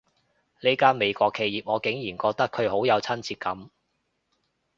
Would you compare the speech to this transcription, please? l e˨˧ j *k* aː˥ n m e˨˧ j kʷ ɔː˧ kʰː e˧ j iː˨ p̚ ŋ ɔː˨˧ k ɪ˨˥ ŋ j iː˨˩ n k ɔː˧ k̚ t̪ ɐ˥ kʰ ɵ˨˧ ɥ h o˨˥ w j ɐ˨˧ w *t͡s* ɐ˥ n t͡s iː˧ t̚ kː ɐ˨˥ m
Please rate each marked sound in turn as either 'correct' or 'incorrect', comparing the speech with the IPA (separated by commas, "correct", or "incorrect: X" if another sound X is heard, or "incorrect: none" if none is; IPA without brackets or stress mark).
correct, incorrect: t͡sʰ